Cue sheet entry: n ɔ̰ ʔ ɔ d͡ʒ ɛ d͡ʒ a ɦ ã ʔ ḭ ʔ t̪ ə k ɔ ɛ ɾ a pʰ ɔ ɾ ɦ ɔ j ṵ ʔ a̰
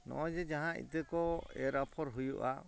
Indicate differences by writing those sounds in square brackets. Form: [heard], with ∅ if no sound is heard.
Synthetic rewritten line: n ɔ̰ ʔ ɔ d͡ʒ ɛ d͡ʒ a ɦ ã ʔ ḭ [∅] t̪ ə k ɔ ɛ ɾ a pʰ ɔ ɾ ɦ [u] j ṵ ʔ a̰